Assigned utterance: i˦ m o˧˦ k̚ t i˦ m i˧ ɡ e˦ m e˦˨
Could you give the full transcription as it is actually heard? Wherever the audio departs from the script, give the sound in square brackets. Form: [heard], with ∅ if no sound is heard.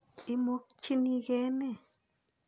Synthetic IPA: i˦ m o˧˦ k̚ [t͡ʃ] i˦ [n] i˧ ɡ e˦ [n] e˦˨